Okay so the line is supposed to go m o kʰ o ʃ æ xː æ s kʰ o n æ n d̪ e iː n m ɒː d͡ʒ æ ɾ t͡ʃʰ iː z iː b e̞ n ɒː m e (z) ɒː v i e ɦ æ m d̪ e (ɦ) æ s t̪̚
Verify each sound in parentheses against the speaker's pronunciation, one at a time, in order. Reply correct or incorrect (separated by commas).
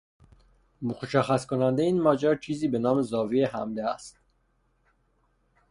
correct, incorrect